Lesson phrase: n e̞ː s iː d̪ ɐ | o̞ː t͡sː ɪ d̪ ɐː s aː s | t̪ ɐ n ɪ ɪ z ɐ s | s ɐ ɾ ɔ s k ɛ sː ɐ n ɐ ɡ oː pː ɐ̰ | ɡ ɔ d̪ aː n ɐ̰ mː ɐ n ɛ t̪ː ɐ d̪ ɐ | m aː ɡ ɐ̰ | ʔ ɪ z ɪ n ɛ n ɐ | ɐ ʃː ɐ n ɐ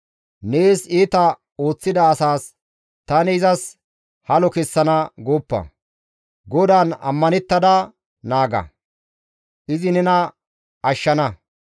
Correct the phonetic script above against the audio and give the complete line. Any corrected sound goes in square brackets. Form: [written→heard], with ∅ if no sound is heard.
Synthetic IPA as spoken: n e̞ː s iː [d̪→t̪] ɐ | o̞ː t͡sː ɪ d̪ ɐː s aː s | t̪ ɐ n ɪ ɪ z ɐ s | [s→h] ɐ [ɾ→l] ɔ [s→∅] k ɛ sː ɐ n ɐ ɡ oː pː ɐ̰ | ɡ ɔ d̪ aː n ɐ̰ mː ɐ n ɛ t̪ː ɐ d̪ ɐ | [m→n] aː ɡ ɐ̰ | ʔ ɪ z ɪ n ɛ n ɐ | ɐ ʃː ɐ n ɐ